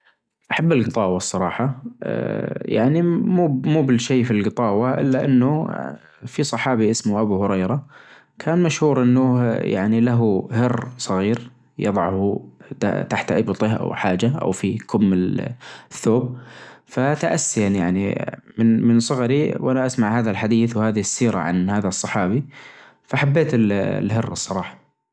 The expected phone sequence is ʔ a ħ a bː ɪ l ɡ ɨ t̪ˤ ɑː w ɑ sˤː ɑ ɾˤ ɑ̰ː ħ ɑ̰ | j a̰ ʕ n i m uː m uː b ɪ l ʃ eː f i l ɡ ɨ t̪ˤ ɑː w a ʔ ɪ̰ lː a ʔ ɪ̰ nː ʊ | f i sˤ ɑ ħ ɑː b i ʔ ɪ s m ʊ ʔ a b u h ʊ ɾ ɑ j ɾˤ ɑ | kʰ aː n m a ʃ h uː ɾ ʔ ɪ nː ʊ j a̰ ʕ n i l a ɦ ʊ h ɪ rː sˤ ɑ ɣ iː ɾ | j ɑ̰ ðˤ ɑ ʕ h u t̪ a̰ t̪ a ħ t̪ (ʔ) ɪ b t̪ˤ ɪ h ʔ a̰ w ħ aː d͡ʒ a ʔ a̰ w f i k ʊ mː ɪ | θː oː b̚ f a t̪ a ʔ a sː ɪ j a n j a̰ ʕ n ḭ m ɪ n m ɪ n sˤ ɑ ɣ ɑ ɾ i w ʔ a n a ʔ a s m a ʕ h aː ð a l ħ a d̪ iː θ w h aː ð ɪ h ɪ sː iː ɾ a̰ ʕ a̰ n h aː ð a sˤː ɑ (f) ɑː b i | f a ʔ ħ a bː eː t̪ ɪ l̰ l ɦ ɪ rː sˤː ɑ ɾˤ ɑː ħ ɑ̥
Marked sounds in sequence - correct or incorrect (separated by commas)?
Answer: correct, incorrect